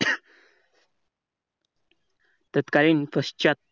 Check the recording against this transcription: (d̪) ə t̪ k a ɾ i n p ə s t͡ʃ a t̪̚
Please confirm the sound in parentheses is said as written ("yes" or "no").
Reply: no